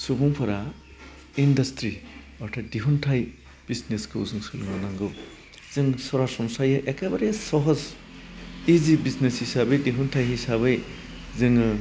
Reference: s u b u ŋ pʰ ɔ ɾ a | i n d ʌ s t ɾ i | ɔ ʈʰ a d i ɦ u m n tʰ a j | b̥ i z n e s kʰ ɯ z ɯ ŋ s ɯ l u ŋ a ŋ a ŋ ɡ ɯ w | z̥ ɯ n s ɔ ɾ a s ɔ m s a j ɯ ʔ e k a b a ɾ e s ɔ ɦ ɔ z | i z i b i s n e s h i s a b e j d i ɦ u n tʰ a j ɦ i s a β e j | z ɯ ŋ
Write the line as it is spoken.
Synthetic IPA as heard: s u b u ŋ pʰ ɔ ɾ a | i n d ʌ s t ɾ i | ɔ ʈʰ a d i ɦ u n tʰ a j | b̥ i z n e s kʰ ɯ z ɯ ŋ s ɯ l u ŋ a n a ŋ ɡ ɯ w | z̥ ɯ ŋ s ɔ ɾ a s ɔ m s a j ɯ ʔ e k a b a ɾ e s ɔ ɦ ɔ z | i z i b i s n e s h i s a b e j d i ɦ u n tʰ a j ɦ i s a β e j | z ɯ ŋ